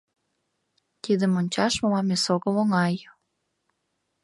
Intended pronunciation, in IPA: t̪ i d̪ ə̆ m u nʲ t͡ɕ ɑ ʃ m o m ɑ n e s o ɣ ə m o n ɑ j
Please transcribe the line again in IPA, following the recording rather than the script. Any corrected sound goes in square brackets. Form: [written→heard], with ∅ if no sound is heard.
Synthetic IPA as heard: t̪ i d̪ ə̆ m [u→o] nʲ t͡ɕ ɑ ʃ m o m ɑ [n→m] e s o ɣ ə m o [n→ŋ] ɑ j